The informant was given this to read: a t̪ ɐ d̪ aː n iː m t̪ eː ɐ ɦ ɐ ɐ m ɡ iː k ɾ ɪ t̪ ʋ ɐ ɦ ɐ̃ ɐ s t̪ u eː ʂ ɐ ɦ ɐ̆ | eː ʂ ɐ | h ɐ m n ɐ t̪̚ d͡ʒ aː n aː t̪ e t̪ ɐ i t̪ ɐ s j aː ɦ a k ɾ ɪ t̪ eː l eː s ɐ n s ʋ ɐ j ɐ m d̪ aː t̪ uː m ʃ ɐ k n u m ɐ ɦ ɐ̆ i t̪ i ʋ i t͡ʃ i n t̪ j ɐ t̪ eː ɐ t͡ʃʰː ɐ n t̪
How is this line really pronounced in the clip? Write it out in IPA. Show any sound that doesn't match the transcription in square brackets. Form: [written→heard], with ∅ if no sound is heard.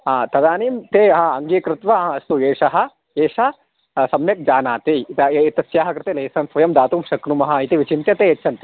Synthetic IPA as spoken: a t̪ ɐ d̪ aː n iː m t̪ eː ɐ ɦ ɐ ɐ [m→ŋ] ɡ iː k ɾ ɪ t̪ ʋ ɐ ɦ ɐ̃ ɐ s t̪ u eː ʂ ɐ ɦ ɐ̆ | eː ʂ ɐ | [h→s] ɐ m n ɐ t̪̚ d͡ʒ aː n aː t̪ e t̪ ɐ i t̪ ɐ s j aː ɦ [a→ɐ] k ɾ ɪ t̪ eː l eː s ɐ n s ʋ ɐ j ɐ m d̪ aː t̪ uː m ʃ ɐ k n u m ɐ ɦ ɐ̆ i t̪ i ʋ i t͡ʃ i n t̪ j ɐ t̪ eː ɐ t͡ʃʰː ɐ n t̪

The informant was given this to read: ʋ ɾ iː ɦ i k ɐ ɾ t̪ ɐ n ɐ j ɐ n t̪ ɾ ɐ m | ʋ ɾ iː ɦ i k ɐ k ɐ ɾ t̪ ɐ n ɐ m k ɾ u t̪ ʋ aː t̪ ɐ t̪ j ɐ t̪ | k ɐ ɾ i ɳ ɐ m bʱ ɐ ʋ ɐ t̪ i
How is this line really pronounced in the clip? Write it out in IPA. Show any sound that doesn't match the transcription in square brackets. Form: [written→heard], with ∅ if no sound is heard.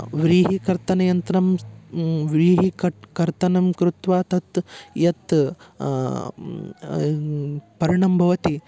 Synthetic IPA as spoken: ʋ ɾ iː ɦ i k ɐ ɾ t̪ ɐ n ɐ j ɐ n t̪ ɾ ɐ m | ʋ ɾ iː ɦ i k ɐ k ɐ ɾ t̪ ɐ n ɐ m k ɾ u t̪ ʋ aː t̪ ɐ t̪ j ɐ t̪ | [k→p] ɐ ɾ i ɳ ɐ m bʱ ɐ ʋ ɐ t̪ i

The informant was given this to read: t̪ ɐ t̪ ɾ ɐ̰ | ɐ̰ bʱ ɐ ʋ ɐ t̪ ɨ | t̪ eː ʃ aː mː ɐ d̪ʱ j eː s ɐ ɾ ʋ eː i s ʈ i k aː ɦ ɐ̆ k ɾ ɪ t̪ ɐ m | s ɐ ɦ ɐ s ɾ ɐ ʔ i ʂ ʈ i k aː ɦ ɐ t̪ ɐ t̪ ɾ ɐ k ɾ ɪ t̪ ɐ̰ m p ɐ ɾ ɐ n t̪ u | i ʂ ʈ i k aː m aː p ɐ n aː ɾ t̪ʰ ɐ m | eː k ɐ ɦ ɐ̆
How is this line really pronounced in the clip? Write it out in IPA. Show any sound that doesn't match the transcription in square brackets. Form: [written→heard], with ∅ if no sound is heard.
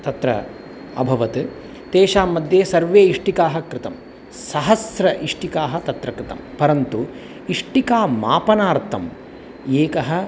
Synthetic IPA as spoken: t̪ ɐ t̪ ɾ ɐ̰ | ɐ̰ bʱ ɐ ʋ ɐ t̪ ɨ | t̪ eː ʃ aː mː ɐ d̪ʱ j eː s ɐ ɾ ʋ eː i [s→ʂ] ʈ i k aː ɦ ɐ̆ k ɾ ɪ t̪ ɐ m | s ɐ ɦ ɐ s ɾ ɐ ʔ i ʂ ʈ i k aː ɦ ɐ t̪ ɐ t̪ ɾ ɐ k ɾ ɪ t̪ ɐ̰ m p ɐ ɾ ɐ n t̪ u | i ʂ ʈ i k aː m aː p ɐ n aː ɾ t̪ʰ ɐ m | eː k ɐ ɦ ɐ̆

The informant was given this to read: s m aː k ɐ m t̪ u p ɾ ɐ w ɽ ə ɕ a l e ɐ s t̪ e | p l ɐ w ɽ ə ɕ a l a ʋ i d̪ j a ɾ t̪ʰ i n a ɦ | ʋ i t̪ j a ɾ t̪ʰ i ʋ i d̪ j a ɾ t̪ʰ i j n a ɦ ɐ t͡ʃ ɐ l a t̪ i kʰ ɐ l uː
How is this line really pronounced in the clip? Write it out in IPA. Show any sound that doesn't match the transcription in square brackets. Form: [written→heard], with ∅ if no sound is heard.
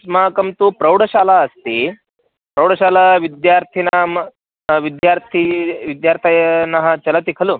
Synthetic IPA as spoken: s m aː k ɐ m t̪ u p ɾ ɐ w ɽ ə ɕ a l [e→a] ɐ s t̪ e | p [l→ɾ] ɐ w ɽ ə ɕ a l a ʋ i d̪ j a ɾ t̪ʰ i n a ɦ | ʋ i [t̪→d̪] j a ɾ t̪ʰ i ʋ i d̪ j a ɾ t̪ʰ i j n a ɦ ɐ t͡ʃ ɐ l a t̪ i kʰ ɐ l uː

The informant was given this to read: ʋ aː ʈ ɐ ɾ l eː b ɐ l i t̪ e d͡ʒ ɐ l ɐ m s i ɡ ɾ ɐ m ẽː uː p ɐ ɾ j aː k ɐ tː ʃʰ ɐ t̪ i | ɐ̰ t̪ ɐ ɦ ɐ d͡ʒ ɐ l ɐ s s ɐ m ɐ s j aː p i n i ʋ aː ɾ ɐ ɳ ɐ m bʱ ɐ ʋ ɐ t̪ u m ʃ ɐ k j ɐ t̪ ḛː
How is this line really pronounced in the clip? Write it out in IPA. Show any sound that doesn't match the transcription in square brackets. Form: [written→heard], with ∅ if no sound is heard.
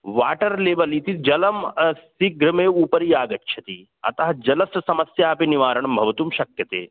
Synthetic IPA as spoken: ʋ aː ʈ ɐ ɾ l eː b ɐ l i t̪ [e→i] d͡ʒ ɐ l ɐ m s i ɡ ɾ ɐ m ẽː uː p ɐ ɾ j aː [k→ɡ] ɐ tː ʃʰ ɐ t̪ i | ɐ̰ t̪ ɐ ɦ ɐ d͡ʒ ɐ l ɐ s s ɐ m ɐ s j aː p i n i ʋ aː ɾ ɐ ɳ ɐ m bʱ ɐ ʋ ɐ t̪ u m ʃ ɐ k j ɐ t̪ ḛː

